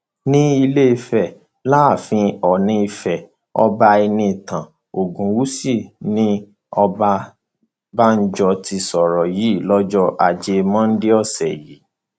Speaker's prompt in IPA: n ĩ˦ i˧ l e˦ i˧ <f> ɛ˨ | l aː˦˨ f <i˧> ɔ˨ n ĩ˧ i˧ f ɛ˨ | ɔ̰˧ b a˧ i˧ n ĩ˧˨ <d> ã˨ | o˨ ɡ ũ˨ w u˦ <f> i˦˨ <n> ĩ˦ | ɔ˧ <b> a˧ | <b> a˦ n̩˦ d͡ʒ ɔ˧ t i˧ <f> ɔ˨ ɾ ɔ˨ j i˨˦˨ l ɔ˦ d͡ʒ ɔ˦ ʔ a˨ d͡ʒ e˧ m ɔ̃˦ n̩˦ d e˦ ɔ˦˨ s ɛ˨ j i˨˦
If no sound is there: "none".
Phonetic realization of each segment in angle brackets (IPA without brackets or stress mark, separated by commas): f, ĩ˧, t, s, n, b, b, s